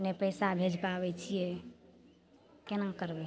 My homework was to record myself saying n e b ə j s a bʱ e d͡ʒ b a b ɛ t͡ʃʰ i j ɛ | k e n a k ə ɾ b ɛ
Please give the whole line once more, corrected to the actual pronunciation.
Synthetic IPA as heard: n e p ə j s a bʱ e d͡ʒ p a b ɛ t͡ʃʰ i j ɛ | k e n a k ə ɾ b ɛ